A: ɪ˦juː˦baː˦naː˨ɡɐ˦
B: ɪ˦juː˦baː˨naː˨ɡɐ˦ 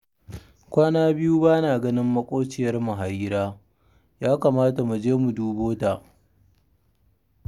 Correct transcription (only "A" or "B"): A